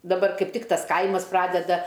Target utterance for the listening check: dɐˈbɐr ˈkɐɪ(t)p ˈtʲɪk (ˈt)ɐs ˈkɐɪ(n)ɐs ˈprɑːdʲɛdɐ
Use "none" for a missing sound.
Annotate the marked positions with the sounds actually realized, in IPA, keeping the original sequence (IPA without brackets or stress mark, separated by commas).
none, t, m